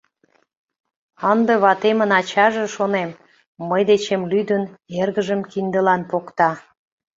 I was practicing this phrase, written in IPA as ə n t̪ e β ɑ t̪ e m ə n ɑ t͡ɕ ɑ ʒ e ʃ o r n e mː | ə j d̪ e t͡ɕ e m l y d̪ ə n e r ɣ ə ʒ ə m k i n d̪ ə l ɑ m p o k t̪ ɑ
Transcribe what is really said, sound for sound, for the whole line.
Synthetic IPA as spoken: ə n d̪ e β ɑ t̪ e m ə n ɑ t͡ɕ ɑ ʒ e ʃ o n e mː | ə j d̪ e t͡ɕ e m l y d̪ ə n e r ɣ ə ʒ ə m k i n d̪ ə l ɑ n p o k t̪ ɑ